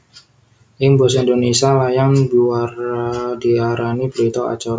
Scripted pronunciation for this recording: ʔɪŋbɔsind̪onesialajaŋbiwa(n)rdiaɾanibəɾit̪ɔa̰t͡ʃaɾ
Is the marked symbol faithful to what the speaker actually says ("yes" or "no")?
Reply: no